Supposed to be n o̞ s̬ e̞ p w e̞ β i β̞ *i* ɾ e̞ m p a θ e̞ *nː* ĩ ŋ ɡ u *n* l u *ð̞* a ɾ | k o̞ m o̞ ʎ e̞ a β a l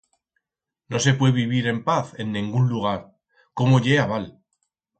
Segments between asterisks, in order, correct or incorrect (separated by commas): correct, correct, correct, incorrect